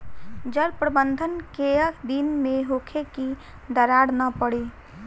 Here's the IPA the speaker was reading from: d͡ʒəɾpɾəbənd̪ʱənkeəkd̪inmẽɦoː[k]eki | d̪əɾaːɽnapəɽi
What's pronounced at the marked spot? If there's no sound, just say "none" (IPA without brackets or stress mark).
kʰ